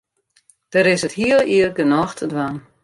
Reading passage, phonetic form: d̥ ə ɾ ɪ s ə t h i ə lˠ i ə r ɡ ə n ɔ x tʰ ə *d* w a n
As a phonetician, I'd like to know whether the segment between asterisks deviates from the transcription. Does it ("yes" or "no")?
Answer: no